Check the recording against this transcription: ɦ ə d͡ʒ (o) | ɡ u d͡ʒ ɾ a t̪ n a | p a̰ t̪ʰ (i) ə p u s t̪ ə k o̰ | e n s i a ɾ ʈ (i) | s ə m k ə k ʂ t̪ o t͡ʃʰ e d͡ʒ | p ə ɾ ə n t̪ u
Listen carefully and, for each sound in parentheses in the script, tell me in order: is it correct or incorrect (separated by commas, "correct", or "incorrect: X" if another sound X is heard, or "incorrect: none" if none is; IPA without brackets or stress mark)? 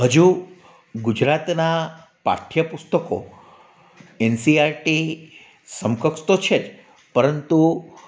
incorrect: u, incorrect: j, correct